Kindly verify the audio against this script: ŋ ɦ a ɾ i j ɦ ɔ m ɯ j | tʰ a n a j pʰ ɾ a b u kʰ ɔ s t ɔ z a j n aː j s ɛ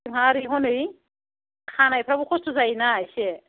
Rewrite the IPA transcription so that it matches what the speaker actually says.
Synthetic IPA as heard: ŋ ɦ a ɾ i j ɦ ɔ n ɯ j | kʰ a n a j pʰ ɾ a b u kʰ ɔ s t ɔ z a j n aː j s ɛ